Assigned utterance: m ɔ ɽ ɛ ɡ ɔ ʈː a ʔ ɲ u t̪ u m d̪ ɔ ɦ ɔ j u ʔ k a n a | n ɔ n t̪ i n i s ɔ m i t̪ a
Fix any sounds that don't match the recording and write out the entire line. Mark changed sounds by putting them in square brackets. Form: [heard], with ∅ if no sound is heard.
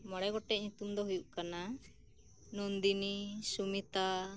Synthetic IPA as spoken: m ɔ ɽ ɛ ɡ ɔ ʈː [ɛ] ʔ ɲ u t̪ u m d̪ ɔ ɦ [u] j u ʔ k a n a | n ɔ n [d̪] i n i s [u] m i t̪ a